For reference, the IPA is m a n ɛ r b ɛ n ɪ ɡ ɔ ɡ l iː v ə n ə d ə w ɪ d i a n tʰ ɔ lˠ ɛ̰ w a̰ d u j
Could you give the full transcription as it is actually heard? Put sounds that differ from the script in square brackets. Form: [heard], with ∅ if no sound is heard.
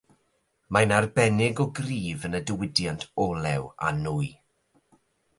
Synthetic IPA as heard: m a n [a] r b ɛ n ɪ ɡ ɔ ɡ [r] iː v ə n ə d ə w ɪ d [j] a n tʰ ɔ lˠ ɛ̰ w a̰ [n] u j